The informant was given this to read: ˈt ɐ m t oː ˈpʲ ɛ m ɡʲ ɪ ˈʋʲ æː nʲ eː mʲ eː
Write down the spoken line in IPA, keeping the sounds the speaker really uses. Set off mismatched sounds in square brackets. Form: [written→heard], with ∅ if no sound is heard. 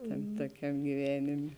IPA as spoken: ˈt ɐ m t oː [ˈpʲ→ˈkʲ] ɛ m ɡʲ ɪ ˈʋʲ æː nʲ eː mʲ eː